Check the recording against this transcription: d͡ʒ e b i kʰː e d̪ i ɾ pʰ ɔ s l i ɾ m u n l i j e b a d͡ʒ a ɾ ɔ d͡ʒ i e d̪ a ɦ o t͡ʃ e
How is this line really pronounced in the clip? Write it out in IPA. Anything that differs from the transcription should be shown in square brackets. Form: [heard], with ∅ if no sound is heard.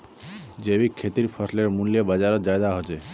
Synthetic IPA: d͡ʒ e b i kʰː e [t̪] i ɾ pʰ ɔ s l [e] ɾ m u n l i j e b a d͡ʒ a ɾ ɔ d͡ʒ [a] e d̪ a ɦ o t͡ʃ e